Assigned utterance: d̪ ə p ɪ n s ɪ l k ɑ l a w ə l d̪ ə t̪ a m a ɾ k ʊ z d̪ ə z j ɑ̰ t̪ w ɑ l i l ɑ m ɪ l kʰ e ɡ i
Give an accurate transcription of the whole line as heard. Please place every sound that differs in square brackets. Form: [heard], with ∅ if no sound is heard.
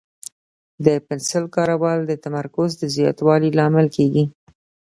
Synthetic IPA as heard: d̪ ə p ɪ n s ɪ l k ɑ [ɾ] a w [ɑ] l d̪ ə t̪ a m a ɾ k ʊ z d̪ ə z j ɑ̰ t̪ w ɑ l i l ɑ m ɪ l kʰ e ɡ i